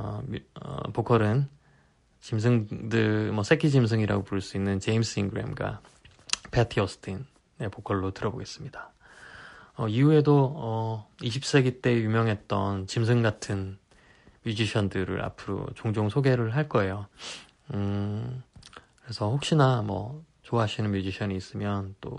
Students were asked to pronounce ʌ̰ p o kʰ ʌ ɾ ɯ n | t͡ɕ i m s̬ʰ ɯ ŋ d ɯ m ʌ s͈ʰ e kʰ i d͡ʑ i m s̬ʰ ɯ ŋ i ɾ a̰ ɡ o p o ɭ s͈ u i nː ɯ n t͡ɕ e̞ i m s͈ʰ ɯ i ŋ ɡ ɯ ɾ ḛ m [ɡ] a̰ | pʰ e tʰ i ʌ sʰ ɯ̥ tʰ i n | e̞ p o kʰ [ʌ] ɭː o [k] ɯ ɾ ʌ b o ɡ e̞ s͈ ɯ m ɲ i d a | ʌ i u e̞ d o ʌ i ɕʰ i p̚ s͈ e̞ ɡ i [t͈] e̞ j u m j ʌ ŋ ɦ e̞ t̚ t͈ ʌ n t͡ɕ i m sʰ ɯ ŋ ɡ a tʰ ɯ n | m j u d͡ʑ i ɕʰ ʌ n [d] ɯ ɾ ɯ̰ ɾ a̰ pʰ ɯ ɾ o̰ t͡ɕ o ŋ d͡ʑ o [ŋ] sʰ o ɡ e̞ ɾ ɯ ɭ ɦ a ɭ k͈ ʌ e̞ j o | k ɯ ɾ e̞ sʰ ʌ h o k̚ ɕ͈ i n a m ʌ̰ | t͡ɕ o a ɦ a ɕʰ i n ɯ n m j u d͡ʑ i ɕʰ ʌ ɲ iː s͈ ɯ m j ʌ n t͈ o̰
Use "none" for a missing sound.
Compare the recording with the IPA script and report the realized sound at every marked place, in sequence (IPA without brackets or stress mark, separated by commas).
ɡ, ʌ, t, t͈, d, ŋ